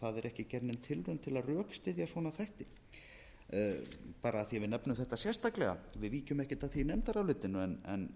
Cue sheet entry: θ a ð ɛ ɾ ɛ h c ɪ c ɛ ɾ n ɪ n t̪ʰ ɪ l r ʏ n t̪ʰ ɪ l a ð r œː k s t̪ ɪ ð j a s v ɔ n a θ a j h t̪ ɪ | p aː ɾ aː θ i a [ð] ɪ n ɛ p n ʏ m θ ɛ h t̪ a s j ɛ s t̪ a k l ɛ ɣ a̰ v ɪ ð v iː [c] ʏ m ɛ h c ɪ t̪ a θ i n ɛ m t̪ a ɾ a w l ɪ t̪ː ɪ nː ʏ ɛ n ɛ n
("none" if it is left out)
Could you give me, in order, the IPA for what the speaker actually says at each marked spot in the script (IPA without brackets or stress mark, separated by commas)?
v, c